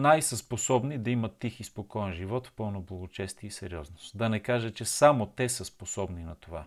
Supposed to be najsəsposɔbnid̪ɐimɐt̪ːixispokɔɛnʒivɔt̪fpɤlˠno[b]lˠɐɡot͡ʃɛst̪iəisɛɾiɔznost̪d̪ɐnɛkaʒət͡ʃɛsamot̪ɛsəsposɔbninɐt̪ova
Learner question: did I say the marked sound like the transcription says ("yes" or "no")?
yes